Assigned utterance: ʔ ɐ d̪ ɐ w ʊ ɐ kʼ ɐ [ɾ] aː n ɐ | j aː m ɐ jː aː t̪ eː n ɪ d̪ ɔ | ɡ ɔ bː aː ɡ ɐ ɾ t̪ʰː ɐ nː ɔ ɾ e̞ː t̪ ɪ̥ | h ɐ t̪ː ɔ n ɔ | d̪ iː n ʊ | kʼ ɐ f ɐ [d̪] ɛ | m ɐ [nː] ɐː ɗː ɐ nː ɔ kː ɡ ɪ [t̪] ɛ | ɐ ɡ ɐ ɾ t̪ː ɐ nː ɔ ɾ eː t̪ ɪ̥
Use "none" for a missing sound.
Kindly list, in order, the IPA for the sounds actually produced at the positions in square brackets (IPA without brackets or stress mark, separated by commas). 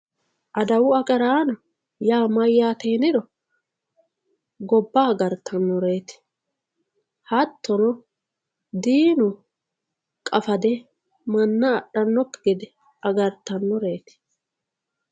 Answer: ɾ, d̪, nː, d̪